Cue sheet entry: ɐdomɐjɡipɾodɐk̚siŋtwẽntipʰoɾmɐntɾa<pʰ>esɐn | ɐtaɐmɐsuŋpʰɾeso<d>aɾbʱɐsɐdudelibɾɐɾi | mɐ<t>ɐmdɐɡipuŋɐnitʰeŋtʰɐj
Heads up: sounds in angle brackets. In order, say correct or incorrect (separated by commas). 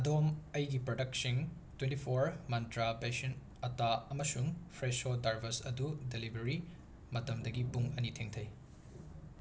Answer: incorrect, correct, correct